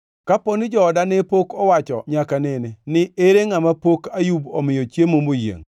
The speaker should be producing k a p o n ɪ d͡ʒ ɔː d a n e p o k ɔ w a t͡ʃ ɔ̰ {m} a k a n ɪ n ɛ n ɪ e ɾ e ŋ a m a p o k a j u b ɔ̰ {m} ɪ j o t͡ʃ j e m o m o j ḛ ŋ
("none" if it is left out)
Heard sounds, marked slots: ɲ, m

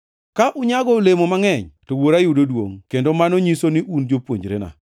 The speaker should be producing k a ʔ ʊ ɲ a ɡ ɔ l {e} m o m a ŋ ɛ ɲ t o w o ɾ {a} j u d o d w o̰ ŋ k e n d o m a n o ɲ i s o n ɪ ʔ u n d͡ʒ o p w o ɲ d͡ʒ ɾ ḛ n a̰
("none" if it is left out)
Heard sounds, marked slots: e, a

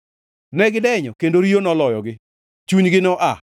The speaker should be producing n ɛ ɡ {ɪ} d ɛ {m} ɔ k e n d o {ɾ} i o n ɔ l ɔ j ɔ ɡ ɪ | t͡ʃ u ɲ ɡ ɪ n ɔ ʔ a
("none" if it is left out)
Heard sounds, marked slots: ɪ, ɲ, ɾ

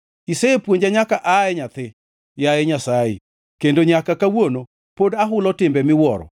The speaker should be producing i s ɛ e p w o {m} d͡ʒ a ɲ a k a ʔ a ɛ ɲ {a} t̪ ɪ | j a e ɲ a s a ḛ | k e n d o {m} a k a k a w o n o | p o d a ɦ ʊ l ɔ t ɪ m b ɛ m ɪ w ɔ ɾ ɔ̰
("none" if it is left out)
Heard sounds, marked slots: ɲ, a, ɲ

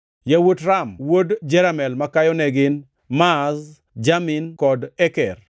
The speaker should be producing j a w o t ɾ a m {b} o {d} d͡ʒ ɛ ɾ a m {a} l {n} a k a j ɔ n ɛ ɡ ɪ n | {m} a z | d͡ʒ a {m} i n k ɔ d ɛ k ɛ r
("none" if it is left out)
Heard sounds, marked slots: w, d, ɛ, m, m, m

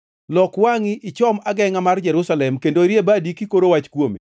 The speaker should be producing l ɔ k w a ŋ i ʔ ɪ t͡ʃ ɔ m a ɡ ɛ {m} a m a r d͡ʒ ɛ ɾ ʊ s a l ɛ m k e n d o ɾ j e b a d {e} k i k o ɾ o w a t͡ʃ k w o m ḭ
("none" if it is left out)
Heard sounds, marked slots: ŋ, i

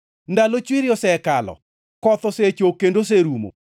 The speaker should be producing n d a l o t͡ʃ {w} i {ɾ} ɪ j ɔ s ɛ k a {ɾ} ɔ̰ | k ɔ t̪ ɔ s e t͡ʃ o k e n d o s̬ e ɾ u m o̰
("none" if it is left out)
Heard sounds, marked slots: w, ɾ, l

